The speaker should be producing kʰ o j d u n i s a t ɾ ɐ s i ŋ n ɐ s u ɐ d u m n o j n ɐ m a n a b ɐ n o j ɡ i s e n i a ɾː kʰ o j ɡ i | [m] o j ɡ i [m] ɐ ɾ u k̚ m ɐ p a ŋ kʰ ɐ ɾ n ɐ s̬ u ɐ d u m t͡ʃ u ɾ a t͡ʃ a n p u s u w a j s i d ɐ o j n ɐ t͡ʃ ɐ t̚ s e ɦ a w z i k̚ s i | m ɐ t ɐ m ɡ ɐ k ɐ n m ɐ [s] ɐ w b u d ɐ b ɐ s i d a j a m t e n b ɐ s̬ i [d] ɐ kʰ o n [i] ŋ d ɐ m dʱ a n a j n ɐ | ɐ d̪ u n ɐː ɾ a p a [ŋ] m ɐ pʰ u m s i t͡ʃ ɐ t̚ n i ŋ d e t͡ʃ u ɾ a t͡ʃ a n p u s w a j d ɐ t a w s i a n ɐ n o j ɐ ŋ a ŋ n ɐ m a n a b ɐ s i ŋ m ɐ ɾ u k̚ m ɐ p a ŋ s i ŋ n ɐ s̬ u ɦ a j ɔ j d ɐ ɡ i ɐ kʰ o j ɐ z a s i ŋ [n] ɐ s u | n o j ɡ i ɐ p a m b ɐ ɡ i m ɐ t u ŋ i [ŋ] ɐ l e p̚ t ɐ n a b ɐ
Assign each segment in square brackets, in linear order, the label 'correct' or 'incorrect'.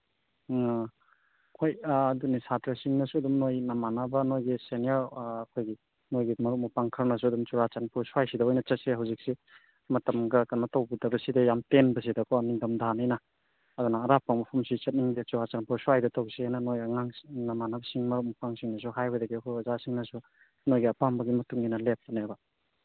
incorrect: n, correct, incorrect: t, correct, correct, correct, correct, incorrect: n

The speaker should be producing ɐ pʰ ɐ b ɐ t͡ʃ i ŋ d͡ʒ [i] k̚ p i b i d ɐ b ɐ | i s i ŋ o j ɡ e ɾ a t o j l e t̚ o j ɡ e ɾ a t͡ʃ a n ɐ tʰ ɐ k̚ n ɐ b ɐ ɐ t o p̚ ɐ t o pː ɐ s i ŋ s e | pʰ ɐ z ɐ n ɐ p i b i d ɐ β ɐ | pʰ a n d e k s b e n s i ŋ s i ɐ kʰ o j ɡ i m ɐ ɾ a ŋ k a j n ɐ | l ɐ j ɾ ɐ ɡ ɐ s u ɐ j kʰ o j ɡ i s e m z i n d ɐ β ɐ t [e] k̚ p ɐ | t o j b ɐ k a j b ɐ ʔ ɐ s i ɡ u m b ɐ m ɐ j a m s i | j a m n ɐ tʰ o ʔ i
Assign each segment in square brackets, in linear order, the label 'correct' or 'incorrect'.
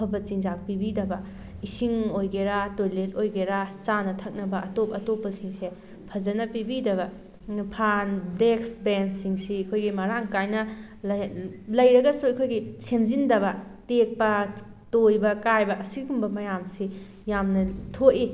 incorrect: a, correct

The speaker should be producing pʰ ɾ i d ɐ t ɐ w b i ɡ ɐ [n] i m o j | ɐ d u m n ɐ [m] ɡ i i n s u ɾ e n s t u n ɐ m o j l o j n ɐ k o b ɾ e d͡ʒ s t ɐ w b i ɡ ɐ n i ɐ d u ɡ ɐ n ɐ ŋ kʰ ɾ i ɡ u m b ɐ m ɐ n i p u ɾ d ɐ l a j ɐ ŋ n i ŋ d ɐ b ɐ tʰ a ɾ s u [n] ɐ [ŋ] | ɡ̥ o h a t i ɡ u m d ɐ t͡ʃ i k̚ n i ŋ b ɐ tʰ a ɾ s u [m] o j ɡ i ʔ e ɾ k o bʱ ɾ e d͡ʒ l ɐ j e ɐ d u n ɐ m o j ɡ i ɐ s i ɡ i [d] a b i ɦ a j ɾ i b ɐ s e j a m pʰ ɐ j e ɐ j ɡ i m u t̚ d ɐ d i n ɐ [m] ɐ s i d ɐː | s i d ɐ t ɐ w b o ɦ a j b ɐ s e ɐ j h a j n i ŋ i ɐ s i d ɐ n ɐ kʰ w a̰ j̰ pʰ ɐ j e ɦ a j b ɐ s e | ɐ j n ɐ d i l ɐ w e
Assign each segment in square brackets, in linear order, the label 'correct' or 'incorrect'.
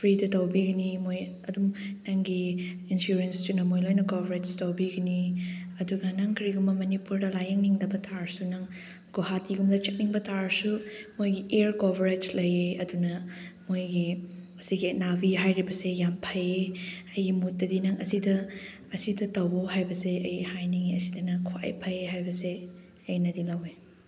correct, incorrect: ŋ, correct, correct, correct, incorrect: n, incorrect: ŋ

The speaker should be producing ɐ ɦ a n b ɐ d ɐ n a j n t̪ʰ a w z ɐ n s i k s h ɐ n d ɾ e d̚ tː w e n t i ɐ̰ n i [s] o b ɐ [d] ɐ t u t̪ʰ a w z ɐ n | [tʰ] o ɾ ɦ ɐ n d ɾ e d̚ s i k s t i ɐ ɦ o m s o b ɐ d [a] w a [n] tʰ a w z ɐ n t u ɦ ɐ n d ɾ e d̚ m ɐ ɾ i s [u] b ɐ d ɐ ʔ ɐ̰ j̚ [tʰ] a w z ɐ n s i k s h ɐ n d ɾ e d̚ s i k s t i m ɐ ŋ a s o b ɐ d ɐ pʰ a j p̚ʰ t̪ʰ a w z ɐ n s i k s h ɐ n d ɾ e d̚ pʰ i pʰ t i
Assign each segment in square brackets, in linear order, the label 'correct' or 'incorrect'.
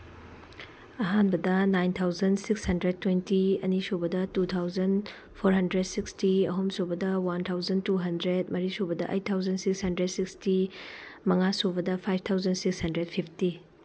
correct, correct, incorrect: pʰ, incorrect: ɐ, correct, incorrect: o, correct

